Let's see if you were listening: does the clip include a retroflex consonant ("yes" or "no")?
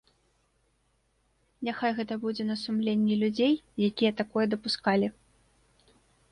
no